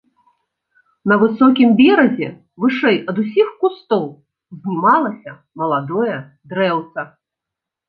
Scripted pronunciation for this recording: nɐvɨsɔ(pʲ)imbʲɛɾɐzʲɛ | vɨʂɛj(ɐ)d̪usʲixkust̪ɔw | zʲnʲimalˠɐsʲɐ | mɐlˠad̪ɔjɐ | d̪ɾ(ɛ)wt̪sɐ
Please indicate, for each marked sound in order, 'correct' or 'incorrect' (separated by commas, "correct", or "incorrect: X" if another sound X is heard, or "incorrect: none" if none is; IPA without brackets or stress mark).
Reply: incorrect: kʲ, correct, correct